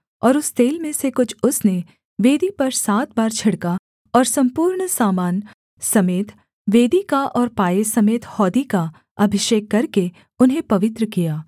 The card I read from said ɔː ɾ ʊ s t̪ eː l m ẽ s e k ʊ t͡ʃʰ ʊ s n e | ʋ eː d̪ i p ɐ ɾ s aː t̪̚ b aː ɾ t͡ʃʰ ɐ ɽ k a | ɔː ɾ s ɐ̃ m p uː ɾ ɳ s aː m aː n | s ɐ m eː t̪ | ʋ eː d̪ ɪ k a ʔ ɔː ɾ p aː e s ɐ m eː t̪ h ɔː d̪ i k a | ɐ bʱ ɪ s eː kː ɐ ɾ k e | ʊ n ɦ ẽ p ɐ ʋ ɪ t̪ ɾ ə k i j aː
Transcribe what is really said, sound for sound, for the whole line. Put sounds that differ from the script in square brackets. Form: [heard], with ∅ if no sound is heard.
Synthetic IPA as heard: ɔː ɾ ʊ s t̪ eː l m ẽ s e k ʊ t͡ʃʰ ʊ s n e | ʋ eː d̪ i p ɐ ɾ s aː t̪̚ b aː ɾ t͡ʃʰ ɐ ɽ k a | ɔː ɾ s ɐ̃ m p uː ɾ ɳ s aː m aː n | s ɐ m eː t̪ | ʋ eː d̪ [i] k a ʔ ɔː ɾ p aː e s ɐ m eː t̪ h ɔː d̪ i k a | ɐ bʱ ɪ [ʃ] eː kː ɐ ɾ k e | ʊ n ɦ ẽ p ɐ ʋ ɪ t̪ ɾ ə k i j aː